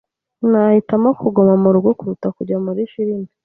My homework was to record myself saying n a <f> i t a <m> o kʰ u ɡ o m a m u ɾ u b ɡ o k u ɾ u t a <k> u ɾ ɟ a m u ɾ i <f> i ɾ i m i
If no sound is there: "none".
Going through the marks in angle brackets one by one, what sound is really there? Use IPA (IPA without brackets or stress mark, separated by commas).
h, m, k, ʃ